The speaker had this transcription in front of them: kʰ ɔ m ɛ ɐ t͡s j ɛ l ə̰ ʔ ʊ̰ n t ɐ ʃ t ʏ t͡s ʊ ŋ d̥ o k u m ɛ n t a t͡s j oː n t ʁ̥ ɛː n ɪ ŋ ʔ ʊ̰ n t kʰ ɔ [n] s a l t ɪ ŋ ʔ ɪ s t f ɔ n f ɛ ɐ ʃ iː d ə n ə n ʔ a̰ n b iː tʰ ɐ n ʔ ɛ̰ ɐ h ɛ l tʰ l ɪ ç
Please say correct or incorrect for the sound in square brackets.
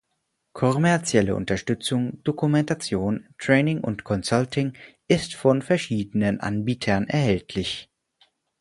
correct